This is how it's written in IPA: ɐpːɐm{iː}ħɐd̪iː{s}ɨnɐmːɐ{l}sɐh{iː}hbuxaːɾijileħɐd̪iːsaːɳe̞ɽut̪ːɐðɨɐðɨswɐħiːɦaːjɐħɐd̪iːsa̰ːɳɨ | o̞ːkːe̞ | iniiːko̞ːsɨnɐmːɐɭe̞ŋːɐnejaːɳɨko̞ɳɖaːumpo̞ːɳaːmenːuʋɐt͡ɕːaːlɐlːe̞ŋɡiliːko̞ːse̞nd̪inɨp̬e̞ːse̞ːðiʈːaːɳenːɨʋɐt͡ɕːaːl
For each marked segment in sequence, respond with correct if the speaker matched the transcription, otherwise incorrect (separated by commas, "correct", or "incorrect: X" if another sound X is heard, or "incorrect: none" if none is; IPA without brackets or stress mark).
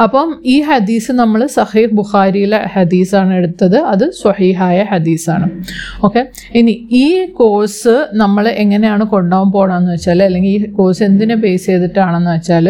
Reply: correct, correct, incorrect: ɭ, correct